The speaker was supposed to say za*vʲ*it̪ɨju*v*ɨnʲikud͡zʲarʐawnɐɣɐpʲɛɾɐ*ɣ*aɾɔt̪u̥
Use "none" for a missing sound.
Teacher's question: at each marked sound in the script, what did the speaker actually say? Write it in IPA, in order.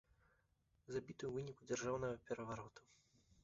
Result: bʲ, v, v

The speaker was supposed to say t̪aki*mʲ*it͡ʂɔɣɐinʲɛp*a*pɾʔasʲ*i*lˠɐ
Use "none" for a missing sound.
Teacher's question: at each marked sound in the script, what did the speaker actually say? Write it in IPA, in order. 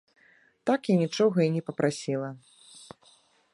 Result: nʲ, ɐ, i

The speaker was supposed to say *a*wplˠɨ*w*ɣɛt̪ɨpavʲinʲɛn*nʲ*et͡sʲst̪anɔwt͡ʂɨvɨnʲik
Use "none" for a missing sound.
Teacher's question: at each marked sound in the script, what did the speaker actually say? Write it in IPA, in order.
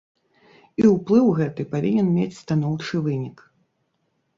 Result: i, w, mʲ

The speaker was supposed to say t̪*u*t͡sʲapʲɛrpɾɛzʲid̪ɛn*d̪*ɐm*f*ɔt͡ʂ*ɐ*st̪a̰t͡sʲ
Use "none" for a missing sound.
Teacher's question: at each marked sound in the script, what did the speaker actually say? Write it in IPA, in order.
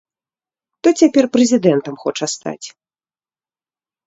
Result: ɔ, t̪, x, ɐ

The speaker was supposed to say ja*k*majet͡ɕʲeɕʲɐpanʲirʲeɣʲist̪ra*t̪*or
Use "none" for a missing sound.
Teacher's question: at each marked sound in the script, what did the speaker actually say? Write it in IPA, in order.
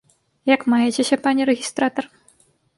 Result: k, t̪

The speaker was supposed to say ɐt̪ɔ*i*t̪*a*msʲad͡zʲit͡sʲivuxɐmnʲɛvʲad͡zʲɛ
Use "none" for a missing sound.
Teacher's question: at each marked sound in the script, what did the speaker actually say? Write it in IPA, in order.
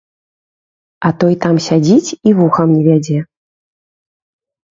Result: j, a

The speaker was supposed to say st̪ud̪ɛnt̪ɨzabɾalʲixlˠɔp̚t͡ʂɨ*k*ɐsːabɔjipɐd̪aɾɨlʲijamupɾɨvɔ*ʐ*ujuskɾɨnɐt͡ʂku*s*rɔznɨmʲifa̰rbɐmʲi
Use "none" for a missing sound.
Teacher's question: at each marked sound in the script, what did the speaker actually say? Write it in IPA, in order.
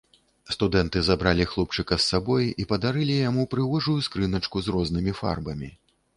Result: k, ʐ, z

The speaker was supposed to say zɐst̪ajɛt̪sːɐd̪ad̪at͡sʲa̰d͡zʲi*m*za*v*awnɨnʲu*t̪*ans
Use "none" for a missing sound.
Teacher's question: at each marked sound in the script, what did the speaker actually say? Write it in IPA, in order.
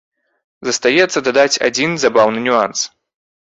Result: n, b, none

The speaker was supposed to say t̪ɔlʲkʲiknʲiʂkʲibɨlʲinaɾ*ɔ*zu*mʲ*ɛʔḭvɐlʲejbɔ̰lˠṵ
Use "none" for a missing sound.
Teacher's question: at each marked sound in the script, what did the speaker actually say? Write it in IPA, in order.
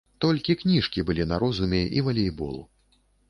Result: ɔ, mʲ

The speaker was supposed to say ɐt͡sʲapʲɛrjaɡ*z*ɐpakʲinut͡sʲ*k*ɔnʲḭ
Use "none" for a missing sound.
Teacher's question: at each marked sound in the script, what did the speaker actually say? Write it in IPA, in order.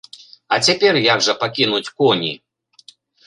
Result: ʐ, k

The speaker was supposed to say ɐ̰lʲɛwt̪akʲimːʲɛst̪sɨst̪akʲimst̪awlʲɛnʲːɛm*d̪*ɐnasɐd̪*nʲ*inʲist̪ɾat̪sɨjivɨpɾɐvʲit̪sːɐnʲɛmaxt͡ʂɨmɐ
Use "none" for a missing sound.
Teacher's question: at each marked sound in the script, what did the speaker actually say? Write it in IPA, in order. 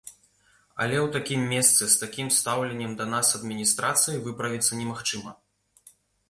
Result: d̪, mʲ

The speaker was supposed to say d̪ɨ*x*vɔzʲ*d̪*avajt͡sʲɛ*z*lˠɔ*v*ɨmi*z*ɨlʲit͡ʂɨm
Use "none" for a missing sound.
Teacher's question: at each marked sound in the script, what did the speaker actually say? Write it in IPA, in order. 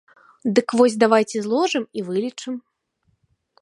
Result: k, d̪, z, ʐ, v

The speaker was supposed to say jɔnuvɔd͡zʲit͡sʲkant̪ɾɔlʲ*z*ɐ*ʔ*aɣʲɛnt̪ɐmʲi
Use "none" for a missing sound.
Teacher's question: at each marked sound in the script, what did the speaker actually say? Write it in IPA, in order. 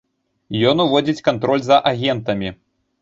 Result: z, ʔ

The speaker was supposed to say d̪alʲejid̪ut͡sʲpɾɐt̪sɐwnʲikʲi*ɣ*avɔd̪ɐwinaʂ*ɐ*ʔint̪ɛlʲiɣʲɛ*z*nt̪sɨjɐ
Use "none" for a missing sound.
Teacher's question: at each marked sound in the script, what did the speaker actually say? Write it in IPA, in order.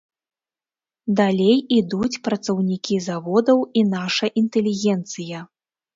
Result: z, ɐ, none

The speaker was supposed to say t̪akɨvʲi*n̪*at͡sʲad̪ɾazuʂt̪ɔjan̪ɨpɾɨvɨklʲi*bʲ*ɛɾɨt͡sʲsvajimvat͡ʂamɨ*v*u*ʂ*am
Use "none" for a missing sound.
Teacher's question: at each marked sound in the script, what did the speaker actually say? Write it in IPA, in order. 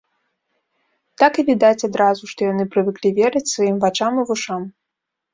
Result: d̪, vʲ, v, ʂ

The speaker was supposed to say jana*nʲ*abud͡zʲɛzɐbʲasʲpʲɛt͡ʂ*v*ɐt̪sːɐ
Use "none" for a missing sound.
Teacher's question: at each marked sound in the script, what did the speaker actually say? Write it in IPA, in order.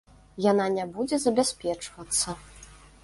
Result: nʲ, v

